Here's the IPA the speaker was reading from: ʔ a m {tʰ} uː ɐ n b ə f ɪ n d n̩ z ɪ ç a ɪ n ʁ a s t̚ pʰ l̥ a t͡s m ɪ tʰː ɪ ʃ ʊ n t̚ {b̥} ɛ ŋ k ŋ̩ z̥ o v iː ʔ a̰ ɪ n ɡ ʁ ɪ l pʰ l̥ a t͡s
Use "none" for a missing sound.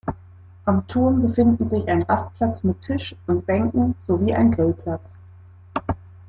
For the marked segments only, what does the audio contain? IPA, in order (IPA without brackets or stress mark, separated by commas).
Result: tʰ, b̥